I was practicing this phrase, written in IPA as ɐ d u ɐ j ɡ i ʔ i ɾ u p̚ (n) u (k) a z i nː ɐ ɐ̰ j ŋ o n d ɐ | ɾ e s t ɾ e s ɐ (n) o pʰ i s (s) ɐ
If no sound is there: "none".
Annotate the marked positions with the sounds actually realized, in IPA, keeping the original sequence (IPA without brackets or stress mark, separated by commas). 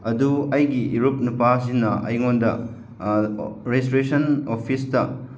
n, p, n, t